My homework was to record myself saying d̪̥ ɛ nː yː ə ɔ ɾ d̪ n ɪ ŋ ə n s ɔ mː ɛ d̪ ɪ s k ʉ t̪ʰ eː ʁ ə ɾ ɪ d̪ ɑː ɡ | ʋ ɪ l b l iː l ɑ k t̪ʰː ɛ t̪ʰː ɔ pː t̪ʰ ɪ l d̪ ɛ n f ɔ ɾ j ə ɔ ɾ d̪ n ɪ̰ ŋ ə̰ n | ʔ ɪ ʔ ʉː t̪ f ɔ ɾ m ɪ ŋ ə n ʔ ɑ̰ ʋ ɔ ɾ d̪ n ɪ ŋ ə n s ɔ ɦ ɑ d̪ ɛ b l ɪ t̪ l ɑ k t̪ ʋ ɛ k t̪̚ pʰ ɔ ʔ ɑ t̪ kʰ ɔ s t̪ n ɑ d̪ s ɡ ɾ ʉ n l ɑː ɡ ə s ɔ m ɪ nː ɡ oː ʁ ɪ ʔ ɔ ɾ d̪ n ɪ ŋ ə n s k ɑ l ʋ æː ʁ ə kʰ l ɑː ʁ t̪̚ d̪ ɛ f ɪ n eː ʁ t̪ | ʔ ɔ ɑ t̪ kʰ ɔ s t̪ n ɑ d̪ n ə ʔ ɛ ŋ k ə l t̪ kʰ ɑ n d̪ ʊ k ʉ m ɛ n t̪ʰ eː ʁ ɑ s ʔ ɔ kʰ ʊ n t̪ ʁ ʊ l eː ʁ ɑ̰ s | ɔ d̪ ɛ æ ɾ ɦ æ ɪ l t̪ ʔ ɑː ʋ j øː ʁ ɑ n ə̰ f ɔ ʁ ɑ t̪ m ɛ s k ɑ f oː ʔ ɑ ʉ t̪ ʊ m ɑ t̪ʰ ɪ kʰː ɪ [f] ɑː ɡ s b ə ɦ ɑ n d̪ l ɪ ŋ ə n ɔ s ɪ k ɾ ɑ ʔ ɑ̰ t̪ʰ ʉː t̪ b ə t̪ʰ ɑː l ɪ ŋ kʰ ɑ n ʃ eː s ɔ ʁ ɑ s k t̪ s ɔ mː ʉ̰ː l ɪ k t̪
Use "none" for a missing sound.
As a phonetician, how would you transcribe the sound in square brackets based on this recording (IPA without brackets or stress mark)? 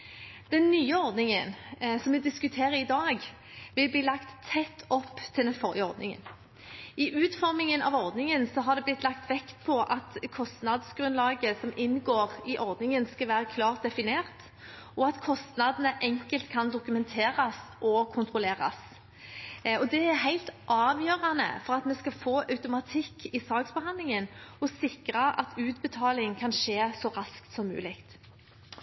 s